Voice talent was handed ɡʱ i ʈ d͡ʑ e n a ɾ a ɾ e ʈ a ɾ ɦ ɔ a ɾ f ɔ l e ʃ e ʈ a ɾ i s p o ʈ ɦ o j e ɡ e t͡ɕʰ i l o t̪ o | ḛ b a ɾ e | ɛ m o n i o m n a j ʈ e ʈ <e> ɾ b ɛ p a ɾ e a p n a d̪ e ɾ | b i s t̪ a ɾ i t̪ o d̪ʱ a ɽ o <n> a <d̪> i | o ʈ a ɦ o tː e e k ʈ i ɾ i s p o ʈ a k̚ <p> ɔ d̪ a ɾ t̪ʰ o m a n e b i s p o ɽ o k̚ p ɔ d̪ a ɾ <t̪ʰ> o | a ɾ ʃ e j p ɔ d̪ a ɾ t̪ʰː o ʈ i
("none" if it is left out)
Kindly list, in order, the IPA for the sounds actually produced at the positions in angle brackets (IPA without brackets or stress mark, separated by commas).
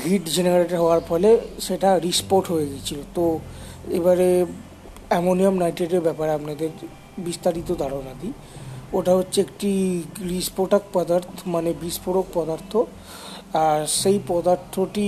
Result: e, n, d̪, p, t̪ʰ